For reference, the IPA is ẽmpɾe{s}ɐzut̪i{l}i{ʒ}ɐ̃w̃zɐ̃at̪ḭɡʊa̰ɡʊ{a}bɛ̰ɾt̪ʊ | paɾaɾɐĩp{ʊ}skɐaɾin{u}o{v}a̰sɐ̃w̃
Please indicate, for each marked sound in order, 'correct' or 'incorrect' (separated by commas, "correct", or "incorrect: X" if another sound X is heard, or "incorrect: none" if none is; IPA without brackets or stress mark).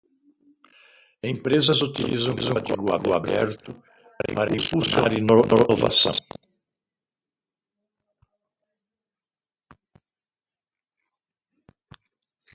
incorrect: z, correct, incorrect: z, correct, incorrect: u, incorrect: o, correct